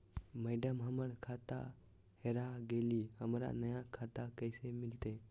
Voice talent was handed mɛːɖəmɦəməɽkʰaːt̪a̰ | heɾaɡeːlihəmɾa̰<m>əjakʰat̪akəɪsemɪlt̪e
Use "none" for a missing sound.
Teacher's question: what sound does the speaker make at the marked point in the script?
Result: n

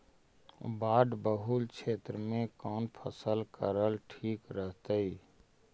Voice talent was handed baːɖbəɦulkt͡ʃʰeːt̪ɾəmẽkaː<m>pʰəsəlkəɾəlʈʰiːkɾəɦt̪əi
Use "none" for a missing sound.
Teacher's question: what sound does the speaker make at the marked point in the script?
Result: n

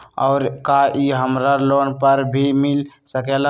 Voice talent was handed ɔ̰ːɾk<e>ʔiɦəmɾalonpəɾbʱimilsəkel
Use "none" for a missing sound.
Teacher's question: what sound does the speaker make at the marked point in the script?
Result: a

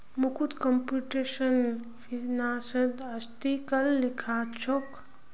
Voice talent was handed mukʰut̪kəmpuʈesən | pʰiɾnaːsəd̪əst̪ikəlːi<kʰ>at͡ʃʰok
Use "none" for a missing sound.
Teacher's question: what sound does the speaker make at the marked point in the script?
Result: kʰ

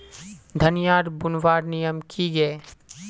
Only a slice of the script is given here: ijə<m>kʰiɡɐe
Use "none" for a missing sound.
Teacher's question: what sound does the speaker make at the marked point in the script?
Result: m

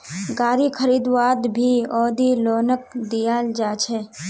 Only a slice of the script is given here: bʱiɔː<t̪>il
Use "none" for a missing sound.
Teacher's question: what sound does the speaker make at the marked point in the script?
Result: d̪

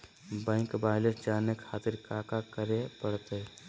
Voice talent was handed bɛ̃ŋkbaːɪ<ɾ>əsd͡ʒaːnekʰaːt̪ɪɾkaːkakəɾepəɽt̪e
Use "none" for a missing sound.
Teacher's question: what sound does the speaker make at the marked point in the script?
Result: l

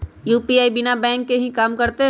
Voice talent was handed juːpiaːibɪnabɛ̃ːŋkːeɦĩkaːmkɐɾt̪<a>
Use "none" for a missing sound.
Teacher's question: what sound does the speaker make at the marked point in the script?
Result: e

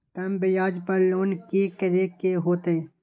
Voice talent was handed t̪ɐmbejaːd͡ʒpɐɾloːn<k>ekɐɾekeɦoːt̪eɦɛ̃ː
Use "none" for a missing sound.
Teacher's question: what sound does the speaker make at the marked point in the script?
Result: k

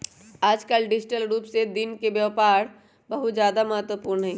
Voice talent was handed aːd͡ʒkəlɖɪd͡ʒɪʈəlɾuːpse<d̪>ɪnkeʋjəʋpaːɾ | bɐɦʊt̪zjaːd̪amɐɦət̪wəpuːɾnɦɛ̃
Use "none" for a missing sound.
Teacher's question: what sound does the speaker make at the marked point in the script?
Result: d̪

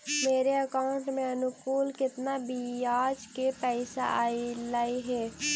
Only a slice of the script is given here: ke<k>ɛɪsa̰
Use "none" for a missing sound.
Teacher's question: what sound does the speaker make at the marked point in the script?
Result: p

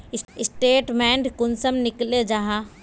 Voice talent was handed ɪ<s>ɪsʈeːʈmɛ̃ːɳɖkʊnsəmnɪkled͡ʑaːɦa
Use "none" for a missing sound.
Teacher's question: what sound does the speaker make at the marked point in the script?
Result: s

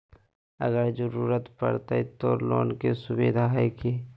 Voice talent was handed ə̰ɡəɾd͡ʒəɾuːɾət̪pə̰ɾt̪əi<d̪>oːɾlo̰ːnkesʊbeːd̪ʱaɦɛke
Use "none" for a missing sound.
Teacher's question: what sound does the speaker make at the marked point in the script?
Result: t̪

